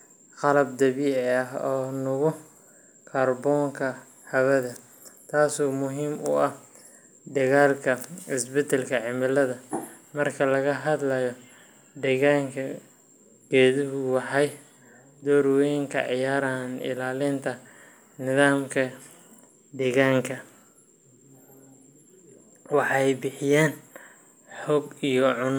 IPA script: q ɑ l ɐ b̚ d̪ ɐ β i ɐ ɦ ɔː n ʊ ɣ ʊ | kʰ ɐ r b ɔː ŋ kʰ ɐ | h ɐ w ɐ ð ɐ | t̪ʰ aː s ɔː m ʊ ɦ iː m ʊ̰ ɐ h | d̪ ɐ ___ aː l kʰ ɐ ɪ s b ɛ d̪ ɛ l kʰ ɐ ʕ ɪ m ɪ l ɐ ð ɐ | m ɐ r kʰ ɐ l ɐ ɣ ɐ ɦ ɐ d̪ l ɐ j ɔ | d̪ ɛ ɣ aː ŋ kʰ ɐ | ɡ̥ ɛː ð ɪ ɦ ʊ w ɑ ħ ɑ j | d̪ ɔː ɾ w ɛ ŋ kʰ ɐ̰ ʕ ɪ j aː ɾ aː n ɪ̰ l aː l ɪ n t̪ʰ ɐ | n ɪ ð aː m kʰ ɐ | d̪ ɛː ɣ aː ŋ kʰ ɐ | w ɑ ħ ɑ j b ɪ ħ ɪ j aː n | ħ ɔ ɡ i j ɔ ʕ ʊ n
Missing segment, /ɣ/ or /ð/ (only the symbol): ɣ